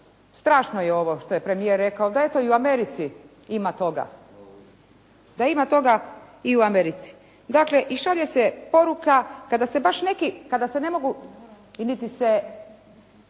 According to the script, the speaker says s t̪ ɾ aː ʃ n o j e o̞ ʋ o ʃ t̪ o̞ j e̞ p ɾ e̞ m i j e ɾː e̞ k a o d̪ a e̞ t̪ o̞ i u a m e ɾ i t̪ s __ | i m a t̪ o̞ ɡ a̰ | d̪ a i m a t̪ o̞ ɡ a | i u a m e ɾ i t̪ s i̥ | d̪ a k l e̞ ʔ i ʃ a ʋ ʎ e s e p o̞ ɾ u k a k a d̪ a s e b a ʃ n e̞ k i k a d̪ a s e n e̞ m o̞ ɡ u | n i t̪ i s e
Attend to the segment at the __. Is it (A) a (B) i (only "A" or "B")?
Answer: B